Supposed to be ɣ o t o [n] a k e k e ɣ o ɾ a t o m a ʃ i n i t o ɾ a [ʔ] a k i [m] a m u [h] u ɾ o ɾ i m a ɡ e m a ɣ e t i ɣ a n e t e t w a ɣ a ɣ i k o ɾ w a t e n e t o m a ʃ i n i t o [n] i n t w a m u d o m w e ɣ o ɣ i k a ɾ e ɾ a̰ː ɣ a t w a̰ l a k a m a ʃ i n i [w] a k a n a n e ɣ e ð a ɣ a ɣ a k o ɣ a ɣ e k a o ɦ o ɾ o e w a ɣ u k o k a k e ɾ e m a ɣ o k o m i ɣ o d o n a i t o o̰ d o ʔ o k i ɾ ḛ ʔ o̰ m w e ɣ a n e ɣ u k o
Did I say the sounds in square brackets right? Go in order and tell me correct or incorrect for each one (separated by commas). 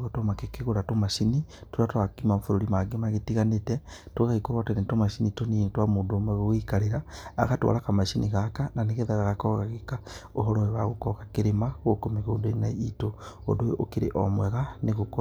incorrect, incorrect, correct, incorrect, correct, incorrect